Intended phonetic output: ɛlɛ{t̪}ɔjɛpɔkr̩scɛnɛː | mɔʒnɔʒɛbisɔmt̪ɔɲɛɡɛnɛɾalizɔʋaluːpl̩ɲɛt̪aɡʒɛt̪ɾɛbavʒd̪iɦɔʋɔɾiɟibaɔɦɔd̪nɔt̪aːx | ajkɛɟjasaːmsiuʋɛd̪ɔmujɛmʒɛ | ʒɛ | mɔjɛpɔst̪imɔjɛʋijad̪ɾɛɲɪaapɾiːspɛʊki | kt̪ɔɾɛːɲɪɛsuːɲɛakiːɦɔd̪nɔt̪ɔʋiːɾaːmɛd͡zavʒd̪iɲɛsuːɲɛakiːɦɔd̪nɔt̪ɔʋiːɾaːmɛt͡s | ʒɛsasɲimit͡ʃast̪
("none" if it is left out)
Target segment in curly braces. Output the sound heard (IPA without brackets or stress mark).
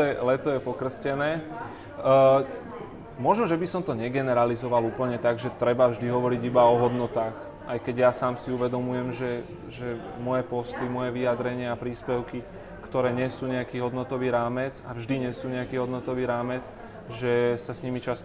t̪